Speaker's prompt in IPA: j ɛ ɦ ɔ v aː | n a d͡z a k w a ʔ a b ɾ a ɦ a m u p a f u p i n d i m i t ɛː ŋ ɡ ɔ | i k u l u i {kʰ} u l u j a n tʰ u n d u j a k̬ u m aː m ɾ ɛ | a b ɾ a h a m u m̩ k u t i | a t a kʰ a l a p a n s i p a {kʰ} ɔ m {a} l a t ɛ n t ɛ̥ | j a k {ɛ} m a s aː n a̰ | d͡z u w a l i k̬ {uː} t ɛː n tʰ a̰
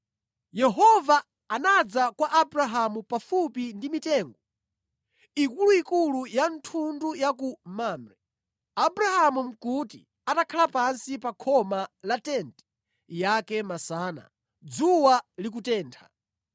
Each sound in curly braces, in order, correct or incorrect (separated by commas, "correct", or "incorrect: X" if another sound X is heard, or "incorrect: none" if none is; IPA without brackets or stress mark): incorrect: k, correct, correct, correct, incorrect: u